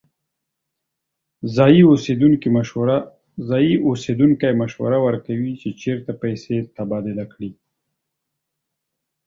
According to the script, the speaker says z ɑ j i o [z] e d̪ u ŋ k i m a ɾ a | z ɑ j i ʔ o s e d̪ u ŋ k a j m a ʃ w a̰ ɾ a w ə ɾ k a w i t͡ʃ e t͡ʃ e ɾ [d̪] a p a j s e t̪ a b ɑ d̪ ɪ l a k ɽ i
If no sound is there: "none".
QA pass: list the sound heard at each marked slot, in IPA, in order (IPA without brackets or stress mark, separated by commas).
s, t̪